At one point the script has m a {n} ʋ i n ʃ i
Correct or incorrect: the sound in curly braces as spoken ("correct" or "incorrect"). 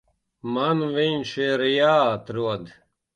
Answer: correct